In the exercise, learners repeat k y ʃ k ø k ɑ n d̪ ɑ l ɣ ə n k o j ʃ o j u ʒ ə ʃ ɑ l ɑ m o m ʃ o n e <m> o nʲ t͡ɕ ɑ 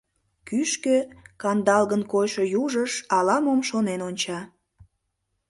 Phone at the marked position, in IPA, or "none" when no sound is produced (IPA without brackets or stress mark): n